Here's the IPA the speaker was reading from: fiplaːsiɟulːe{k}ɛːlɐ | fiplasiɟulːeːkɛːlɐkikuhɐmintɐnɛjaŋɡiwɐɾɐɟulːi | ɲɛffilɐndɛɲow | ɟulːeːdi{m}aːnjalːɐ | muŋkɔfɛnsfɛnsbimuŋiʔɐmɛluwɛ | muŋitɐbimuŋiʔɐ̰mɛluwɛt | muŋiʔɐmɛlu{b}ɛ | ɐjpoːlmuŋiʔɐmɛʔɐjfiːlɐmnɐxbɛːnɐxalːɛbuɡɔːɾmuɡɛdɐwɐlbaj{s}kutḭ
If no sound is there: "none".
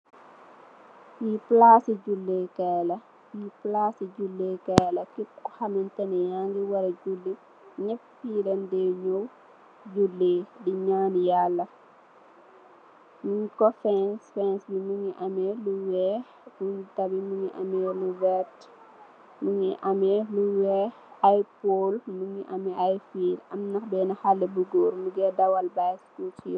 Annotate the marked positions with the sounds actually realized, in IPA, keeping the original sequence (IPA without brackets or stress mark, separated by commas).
k, ɲ, w, s